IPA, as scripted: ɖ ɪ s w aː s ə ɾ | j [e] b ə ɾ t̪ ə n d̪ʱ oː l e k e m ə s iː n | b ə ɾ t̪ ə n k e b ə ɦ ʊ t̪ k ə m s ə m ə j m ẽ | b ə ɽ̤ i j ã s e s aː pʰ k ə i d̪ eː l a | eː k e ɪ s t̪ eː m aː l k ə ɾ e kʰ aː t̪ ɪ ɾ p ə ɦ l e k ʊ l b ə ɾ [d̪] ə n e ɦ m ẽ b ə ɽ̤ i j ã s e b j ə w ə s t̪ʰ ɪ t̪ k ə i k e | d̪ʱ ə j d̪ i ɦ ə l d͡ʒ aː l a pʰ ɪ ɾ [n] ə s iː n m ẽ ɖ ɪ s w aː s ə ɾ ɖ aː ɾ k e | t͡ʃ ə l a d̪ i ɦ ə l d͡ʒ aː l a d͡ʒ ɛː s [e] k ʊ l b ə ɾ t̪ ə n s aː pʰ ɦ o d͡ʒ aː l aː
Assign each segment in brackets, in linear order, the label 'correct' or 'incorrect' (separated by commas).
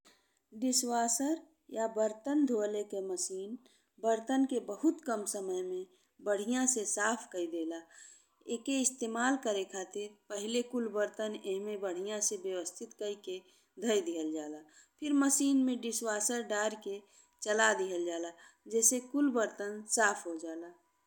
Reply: incorrect, incorrect, incorrect, correct